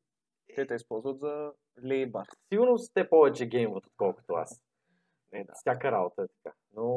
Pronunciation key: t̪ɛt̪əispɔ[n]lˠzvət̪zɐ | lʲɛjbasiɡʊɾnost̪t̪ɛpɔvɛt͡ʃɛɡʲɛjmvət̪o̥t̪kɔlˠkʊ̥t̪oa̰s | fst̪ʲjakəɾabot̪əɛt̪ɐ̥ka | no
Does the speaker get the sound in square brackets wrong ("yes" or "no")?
yes